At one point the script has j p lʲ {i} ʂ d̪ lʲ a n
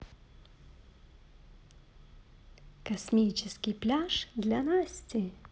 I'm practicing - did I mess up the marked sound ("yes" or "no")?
yes